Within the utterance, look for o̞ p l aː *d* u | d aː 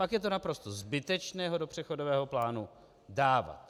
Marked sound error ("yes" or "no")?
yes